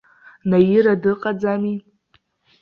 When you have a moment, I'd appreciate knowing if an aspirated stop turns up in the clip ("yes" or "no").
no